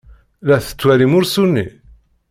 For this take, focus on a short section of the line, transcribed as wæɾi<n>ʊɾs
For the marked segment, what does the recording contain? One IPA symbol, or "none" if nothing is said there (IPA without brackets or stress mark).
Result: m